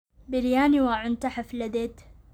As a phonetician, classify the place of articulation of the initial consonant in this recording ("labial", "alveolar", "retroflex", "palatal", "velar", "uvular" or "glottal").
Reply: labial